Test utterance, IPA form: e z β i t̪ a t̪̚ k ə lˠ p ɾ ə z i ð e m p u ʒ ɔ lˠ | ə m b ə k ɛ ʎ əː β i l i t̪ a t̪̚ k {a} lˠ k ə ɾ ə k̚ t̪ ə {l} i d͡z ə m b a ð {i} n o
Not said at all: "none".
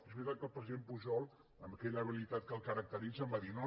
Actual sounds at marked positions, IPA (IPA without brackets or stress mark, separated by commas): ə, ɾ, i